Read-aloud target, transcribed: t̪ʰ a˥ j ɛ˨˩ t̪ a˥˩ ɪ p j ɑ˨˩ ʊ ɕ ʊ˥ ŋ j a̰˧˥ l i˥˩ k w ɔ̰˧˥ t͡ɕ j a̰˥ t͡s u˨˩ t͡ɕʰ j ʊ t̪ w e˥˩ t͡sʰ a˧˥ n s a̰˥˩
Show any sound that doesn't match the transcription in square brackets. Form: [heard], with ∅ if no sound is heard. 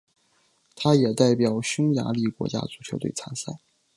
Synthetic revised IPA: t̪ʰ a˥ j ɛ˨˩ t̪ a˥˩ ɪ p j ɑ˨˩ ʊ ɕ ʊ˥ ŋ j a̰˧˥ l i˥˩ k w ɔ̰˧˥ t͡ɕ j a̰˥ t͡s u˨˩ t͡ɕʰ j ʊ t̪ w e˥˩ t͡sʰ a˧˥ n s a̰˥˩

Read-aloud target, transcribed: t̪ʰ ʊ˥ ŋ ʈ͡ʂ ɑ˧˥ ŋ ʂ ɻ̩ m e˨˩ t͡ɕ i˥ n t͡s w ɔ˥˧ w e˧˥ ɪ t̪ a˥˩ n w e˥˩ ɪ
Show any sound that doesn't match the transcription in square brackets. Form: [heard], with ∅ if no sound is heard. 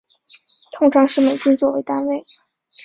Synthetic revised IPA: t̪ʰ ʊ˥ ŋ [ʈ͡ʂʰ] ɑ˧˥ ŋ ʂ ɻ̩ m e˨˩ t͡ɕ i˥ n t͡s w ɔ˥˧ w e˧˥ ɪ t̪ [a˥] n w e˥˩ ɪ

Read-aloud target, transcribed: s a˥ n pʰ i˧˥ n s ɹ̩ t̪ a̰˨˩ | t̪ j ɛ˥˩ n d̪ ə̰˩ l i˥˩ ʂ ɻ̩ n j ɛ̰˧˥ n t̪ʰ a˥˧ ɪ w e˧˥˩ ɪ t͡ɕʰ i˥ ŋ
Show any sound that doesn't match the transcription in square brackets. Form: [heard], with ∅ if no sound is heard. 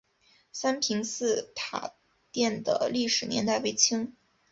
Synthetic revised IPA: s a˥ n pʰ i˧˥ [ŋ] s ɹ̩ [t̪ʰ] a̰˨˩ | t̪ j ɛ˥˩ n d̪ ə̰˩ l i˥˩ ʂ ɻ̩ n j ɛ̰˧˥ n [t̪] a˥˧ ɪ w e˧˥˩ ɪ t͡ɕʰ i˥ ŋ

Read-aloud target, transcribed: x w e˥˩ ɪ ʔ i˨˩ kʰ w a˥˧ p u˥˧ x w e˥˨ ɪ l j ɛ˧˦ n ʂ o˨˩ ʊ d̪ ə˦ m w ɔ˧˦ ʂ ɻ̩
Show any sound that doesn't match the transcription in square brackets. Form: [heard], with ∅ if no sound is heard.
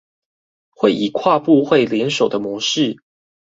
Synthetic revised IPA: x w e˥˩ ɪ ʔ i˨˩ kʰ w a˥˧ p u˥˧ x w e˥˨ ɪ l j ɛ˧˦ n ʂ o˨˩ ʊ d̪ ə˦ m w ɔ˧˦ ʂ ɻ̩

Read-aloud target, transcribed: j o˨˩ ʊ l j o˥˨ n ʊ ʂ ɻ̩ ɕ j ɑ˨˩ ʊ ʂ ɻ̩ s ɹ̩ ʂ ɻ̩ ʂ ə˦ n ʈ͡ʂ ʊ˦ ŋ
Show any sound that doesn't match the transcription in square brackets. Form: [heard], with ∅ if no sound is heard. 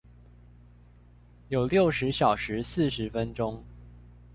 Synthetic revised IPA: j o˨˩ ʊ l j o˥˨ [∅] ʊ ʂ ɻ̩ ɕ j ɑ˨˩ ʊ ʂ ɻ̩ s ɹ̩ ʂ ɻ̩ [f] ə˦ n ʈ͡ʂ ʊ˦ ŋ

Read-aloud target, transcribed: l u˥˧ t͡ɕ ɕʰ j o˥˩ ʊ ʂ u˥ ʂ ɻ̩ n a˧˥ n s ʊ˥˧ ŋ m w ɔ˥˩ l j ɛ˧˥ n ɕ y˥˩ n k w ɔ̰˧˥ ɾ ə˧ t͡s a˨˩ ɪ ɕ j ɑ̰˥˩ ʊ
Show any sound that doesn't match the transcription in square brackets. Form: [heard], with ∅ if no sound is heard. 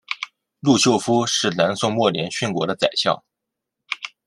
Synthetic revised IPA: l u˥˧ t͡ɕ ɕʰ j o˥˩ ʊ [f] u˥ ʂ ɻ̩ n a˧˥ n s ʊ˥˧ ŋ m w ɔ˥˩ l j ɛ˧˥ n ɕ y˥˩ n k w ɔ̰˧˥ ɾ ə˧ t͡s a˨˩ ɪ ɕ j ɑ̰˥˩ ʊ

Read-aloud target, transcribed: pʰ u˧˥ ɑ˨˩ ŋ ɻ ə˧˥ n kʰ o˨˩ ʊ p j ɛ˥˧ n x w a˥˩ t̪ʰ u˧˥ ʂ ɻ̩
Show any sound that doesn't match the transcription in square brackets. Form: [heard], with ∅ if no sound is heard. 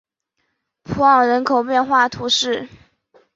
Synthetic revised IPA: pʰ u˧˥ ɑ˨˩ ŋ ɻ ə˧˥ n kʰ o˨˩ ʊ p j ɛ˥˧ n x w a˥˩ t̪ʰ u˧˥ ʂ ɻ̩

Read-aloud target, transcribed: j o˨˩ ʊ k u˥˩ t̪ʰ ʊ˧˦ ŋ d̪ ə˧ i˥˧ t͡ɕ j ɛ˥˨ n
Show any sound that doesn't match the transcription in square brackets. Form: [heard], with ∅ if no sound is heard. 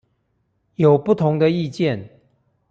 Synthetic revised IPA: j o˨˩ ʊ [p] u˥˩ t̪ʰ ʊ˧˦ ŋ d̪ ə˧ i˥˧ t͡ɕ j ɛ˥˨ n

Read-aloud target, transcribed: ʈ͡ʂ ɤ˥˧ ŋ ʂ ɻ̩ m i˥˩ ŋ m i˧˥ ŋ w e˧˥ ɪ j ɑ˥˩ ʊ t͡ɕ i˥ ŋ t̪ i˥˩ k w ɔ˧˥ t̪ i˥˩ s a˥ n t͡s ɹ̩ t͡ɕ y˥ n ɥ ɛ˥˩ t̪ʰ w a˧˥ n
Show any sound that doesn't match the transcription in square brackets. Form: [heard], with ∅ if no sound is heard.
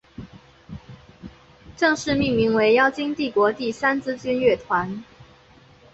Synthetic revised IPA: ʈ͡ʂ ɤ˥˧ ŋ ʂ ɻ̩ m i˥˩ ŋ m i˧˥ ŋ w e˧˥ ɪ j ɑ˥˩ ʊ t͡ɕ i˥ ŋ t̪ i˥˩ k w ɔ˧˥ t̪ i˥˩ s a˥ n t͡s ɹ̩ t͡ɕ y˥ n ɥ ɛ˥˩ t̪ʰ w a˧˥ n

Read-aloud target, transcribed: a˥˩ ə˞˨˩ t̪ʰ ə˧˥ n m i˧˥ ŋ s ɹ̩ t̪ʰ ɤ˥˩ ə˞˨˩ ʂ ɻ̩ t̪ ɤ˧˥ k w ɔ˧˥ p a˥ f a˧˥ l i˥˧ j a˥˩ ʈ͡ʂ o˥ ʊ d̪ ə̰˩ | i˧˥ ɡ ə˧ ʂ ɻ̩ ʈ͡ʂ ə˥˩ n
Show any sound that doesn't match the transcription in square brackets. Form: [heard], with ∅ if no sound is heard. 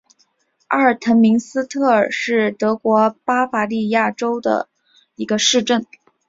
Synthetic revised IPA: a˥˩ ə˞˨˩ t̪ʰ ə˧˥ n m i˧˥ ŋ s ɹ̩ t̪ʰ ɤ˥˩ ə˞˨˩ ʂ ɻ̩ t̪ ɤ˧˥ k w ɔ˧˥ p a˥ f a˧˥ l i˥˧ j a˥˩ ʈ͡ʂ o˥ ʊ d̪ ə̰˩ | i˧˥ ɡ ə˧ ʂ ɻ̩ ʈ͡ʂ ə˥˩ n

